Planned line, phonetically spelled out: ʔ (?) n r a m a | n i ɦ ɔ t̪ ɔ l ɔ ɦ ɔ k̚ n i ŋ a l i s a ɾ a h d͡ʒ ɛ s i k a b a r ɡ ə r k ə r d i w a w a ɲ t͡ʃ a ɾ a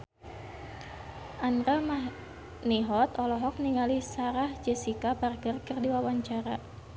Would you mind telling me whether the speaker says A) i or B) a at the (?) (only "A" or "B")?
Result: B